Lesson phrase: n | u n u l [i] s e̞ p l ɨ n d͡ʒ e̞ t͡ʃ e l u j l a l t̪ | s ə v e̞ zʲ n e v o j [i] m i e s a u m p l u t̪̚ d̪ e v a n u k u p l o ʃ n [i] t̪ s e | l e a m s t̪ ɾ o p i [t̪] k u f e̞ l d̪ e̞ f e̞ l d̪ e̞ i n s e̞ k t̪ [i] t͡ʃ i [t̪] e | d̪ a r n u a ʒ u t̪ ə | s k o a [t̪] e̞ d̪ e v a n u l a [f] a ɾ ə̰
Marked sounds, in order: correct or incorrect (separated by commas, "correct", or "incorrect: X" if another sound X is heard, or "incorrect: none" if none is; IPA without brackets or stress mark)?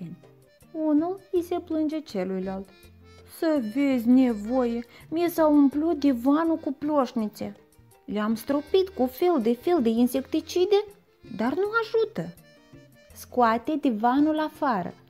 correct, incorrect: e, correct, correct, correct, incorrect: d̪, correct, correct